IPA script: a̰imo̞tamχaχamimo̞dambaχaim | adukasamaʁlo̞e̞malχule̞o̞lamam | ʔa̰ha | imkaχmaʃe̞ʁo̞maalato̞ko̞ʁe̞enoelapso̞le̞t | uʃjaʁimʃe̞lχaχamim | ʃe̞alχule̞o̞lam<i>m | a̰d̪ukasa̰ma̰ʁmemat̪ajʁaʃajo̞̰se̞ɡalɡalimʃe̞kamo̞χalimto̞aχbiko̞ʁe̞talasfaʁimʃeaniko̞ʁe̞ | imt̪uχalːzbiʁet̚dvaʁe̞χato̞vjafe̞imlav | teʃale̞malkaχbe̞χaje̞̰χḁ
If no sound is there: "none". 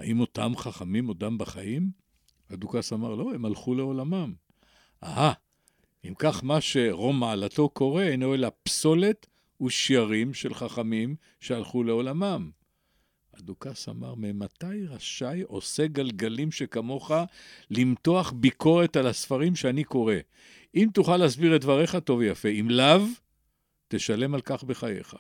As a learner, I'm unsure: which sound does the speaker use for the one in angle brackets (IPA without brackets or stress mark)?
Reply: a